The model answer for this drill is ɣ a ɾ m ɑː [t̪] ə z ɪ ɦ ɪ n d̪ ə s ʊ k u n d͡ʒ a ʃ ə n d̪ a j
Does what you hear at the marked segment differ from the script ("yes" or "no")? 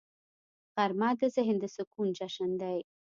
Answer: yes